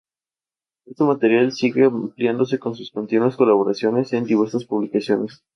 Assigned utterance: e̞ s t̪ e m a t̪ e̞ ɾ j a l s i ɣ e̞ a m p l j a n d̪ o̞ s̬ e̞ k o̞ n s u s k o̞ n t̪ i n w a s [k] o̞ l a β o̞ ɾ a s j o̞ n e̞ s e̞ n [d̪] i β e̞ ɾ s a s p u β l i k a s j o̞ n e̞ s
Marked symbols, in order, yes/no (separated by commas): yes, yes